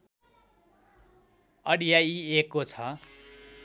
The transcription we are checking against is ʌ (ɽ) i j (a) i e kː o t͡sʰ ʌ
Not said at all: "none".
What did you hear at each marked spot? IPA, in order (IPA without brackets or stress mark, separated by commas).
ɽ, a